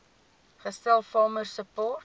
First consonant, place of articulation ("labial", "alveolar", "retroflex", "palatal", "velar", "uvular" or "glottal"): uvular